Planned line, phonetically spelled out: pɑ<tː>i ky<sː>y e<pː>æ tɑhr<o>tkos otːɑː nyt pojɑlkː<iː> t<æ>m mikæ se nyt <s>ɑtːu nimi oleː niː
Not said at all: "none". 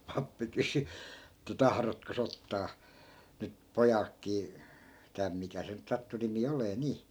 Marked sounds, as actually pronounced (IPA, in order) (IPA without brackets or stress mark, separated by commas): pː, s, tː, o, iː, æ, s